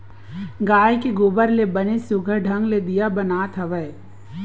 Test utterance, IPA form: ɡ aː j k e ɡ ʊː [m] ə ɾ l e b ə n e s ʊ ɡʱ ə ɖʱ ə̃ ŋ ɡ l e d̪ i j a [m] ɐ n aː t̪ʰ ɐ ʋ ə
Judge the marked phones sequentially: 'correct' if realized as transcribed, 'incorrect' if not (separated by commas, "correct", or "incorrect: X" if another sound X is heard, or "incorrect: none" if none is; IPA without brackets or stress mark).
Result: incorrect: b, incorrect: b